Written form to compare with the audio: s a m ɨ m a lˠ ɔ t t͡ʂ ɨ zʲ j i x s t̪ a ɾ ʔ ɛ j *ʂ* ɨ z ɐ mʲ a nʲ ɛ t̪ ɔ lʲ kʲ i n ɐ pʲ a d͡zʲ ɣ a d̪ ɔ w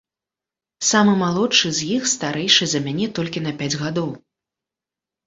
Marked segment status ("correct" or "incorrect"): correct